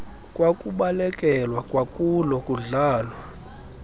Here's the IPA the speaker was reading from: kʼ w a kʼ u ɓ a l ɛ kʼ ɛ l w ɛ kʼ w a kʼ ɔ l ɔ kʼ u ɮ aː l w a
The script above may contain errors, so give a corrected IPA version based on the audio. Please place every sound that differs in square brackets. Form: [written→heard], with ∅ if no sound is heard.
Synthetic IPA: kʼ w a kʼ u ɓ a l ɛ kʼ ɛ l w [ɛ→a] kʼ w a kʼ [ɔ→u] l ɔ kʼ u ɮ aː l w a